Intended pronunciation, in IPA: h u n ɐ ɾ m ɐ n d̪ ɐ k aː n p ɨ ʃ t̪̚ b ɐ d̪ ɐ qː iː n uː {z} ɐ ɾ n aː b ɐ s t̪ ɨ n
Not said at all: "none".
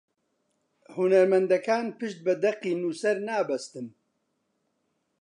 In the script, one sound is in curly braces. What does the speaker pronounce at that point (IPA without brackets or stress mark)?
s